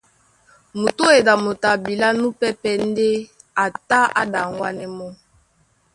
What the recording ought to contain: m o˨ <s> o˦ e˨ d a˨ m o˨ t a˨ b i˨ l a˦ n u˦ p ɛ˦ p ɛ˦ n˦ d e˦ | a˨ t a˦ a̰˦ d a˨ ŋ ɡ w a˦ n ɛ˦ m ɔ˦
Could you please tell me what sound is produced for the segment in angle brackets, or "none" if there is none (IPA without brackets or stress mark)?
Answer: t